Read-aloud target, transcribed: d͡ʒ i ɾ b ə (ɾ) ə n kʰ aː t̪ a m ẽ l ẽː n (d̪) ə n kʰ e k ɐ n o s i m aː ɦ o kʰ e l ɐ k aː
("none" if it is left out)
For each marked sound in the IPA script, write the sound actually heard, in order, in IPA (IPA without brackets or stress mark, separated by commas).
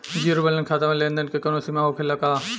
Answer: l, d̪